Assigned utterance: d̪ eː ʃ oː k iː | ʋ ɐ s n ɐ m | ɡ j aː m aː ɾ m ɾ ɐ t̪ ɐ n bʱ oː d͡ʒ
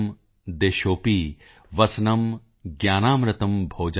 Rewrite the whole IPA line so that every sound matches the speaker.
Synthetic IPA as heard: d̪ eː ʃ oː p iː | ʋ ɐ s n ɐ m | ɡ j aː n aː m ɾ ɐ t̪ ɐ m bʱ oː d͡ʒ